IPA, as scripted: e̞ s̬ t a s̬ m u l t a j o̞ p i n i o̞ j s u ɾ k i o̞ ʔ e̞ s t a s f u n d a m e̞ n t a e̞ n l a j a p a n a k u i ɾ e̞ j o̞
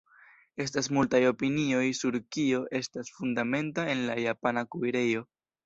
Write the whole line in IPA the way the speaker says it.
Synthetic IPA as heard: e̞ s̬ t a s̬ m u l t a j o̞ p i n i o̞ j s u ɾ k i o̞ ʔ e̞ s t a s f u n d a m e̞ n t a e̞ n l a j a p a n a k u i ɾ e̞ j o̞